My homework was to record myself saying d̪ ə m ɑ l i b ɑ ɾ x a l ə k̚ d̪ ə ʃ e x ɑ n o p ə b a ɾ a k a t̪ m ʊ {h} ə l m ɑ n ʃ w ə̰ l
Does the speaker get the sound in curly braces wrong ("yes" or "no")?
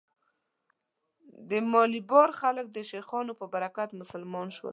yes